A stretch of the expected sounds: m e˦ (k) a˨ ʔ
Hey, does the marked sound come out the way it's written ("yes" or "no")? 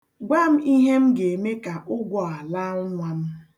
yes